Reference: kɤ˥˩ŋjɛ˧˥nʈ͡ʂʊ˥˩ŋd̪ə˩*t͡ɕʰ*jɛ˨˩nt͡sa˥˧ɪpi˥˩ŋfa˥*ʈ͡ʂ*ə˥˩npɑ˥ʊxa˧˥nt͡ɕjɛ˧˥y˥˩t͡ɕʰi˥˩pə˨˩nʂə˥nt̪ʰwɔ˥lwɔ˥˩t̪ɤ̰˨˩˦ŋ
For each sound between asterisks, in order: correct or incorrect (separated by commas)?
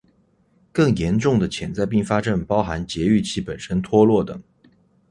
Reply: correct, correct